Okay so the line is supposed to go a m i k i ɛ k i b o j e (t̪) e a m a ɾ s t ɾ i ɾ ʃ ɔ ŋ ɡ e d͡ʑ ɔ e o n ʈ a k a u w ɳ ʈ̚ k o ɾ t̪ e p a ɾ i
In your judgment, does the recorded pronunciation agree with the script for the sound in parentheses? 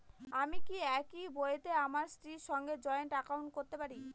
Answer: yes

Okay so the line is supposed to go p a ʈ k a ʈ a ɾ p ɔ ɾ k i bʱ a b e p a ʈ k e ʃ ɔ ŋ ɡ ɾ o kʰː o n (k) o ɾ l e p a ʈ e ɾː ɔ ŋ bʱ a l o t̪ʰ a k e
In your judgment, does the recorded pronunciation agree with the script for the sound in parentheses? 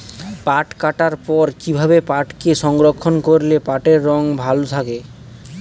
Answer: yes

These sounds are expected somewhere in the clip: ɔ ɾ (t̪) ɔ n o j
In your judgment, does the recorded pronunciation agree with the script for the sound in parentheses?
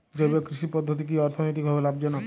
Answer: no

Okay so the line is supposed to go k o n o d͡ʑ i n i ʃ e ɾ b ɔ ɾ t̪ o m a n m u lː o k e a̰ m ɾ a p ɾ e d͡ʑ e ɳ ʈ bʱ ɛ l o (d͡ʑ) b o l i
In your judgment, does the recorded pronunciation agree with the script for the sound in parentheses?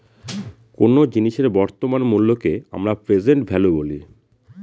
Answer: no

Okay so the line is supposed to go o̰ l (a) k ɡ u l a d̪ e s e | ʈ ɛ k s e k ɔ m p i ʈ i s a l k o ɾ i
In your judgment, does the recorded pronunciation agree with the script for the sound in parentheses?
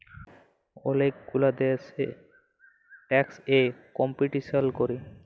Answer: no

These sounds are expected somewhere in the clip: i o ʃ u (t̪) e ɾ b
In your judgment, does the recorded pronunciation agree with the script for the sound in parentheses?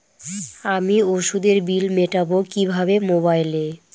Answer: no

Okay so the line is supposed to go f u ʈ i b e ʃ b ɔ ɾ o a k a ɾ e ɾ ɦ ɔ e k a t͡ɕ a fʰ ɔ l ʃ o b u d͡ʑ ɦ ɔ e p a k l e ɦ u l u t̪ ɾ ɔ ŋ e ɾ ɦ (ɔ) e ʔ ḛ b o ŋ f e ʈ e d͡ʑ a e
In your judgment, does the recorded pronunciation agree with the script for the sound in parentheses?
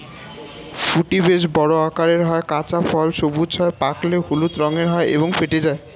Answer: yes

